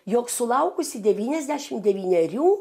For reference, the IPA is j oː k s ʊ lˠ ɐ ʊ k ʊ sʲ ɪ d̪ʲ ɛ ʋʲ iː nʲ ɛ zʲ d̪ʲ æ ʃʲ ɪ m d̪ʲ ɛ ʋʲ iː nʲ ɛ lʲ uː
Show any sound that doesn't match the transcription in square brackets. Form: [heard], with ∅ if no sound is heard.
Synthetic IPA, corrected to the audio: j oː k s ʊ lˠ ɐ ʊ k ʊ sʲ ɪ d̪ʲ ɛ ʋʲ iː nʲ ɛ zʲ d̪ʲ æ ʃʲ ɪ m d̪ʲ ɛ ʋʲ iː nʲ ɛ [ɾʲ] uː